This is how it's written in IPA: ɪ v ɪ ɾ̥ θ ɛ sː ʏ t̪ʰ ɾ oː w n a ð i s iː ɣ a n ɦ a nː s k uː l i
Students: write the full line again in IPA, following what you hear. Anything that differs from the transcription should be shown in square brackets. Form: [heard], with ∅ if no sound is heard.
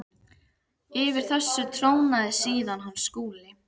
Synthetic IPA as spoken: ɪ v ɪ ɾ̥ θ ɛ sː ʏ t̪ʰ ɾ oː w n a ð [ɪ] s iː [ð] a n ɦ a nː s k uː l [ɪ]